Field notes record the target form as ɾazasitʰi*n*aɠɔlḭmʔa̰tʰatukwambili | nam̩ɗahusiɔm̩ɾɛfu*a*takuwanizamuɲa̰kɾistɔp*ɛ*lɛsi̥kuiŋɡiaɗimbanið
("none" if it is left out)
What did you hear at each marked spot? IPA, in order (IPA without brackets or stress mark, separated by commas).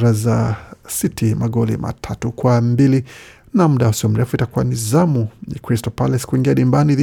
m, i, a